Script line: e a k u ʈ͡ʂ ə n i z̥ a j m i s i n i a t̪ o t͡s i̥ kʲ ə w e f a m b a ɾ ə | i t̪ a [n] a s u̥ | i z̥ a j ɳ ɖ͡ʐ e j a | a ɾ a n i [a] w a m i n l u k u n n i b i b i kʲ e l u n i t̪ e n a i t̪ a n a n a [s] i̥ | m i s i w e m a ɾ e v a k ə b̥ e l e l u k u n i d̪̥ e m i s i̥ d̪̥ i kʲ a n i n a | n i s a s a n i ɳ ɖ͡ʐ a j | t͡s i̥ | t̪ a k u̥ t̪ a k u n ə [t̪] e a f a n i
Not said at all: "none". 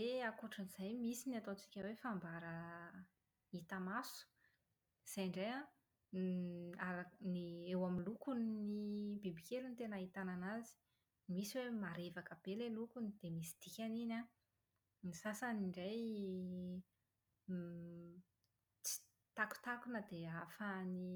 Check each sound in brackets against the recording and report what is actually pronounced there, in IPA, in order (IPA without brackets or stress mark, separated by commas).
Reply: m, e, z, d̪